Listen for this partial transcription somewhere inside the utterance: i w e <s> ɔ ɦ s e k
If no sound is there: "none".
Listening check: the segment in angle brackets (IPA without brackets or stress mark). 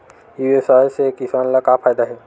s